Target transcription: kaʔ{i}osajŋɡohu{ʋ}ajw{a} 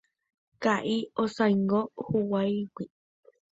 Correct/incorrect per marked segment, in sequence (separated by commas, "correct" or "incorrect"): correct, incorrect, incorrect